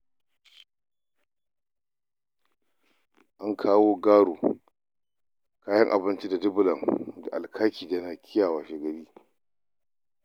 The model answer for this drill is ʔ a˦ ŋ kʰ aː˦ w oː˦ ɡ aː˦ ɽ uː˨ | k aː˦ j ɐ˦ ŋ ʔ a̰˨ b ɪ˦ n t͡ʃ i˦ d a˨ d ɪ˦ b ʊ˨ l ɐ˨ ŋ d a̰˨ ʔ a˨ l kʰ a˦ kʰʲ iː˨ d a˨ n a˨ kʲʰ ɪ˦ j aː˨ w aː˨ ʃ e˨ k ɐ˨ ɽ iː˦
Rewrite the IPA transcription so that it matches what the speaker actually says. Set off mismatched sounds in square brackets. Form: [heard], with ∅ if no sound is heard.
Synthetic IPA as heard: ʔ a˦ ŋ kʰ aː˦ w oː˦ ɡ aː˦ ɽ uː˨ | k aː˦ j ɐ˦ ŋ ʔ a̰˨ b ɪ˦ n t͡ʃ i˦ d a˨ d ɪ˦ b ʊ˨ l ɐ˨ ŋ d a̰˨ ʔ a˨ l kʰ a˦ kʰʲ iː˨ d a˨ n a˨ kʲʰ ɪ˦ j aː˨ w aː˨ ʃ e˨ [ɡ] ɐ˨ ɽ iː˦

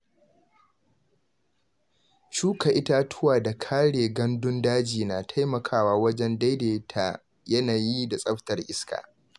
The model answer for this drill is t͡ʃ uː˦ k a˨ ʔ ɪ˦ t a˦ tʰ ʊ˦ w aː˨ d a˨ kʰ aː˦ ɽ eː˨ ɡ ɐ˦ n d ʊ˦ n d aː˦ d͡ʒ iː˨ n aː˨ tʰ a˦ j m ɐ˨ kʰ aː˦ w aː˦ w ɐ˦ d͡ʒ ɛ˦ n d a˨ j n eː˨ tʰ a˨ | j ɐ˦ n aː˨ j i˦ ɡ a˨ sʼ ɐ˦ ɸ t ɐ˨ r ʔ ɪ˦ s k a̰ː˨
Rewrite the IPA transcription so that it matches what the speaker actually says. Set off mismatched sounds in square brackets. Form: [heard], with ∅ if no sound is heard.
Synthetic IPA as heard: t͡ʃ uː˦ k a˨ ʔ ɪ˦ t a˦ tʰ ʊ˦ w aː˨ d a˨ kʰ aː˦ ɽ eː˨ ɡ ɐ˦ n d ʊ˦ n d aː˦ d͡ʒ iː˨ n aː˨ tʰ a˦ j m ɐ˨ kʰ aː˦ w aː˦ w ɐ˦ d͡ʒ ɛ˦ n d [a˦] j [d] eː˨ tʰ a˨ | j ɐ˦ n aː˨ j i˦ [d] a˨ sʼ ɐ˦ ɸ t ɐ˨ r ʔ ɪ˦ s k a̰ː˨

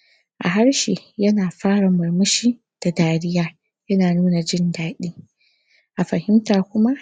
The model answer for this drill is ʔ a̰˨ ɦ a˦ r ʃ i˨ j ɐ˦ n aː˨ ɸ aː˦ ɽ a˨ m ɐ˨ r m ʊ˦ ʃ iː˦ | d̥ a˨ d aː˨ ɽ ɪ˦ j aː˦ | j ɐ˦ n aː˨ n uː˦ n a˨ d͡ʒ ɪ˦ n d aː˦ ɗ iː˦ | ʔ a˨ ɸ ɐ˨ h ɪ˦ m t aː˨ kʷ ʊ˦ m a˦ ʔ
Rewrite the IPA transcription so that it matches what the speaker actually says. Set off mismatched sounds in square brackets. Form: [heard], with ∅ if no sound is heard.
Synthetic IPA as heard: ʔ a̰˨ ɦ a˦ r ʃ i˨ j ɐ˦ n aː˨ ɸ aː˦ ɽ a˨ m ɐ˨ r m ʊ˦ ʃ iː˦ | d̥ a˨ d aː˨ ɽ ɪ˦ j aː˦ | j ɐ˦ n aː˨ n uː˦ n a˨ d͡ʒ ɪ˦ n d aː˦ ɗ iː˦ | ʔ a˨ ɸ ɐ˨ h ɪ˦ m t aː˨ kʷ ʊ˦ m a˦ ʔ

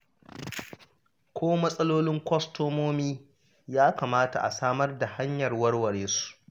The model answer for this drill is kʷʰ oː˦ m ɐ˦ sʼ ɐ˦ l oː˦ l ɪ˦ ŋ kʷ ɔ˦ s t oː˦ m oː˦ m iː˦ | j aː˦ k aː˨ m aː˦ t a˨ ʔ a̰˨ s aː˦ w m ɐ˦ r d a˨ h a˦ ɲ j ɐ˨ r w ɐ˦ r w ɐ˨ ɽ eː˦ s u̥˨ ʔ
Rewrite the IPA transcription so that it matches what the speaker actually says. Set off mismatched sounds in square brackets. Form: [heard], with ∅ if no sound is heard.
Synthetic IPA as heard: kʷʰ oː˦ m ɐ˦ sʼ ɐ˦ l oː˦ l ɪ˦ ŋ kʷ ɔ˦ s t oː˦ m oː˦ m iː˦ | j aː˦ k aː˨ m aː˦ t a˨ ʔ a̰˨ s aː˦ [∅] m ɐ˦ r d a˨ h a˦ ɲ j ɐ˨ r w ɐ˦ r w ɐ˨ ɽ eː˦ s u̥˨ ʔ

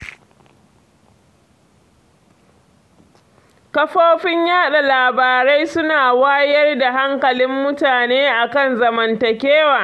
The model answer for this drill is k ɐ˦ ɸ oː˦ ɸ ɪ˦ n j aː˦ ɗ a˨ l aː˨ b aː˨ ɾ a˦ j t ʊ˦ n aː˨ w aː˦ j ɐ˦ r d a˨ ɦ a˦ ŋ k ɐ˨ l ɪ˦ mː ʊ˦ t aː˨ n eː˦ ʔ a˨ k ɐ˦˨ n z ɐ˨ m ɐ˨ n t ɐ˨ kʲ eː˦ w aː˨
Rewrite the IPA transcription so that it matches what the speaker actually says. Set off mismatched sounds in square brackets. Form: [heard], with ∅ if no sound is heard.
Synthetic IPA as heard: k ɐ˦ ɸ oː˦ ɸ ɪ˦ [ɲ] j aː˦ ɗ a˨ l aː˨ b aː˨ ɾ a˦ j [s] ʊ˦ n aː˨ w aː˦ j ɐ˦ r d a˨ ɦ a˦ ŋ k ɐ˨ l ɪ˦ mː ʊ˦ t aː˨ n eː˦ ʔ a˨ k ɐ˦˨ n z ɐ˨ m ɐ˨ n t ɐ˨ kʲ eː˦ w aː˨

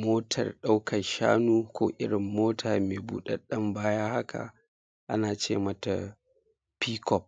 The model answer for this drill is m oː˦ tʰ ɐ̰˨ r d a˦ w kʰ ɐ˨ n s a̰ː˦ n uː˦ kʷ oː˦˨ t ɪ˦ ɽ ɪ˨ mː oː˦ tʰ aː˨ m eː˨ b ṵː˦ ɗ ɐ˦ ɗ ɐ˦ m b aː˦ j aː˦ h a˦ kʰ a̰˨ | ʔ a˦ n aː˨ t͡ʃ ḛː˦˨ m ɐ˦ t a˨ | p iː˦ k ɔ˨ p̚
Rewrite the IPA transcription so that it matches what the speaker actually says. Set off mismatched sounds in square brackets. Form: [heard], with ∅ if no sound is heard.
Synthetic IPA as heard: m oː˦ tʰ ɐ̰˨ r [ɗ] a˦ w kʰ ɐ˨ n [ʃ] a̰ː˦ n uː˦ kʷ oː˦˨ [ʔ] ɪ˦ ɽ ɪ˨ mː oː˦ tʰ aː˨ m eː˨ b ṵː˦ ɗ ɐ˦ ɗ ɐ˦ m b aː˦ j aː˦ h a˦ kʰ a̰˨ | ʔ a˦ n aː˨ t͡ʃ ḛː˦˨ m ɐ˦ t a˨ | p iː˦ k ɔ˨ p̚

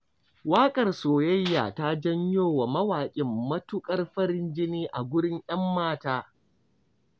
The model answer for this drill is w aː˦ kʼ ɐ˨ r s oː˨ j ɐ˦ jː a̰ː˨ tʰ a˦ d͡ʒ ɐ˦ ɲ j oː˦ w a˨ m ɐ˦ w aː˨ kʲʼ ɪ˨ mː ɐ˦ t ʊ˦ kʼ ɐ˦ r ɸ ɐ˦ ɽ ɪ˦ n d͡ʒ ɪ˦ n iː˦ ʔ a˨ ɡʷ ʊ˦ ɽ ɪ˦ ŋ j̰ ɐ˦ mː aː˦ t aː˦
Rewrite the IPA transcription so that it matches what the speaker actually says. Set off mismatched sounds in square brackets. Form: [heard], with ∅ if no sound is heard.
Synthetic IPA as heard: w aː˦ kʼ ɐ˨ r s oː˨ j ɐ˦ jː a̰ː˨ [t] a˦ d͡ʒ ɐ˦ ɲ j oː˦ w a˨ m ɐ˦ w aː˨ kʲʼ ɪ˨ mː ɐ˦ t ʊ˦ kʼ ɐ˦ r ɸ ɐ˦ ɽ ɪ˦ n d͡ʒ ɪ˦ n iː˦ ʔ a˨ ɡʷ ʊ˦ ɽ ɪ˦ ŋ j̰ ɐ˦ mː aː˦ t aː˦

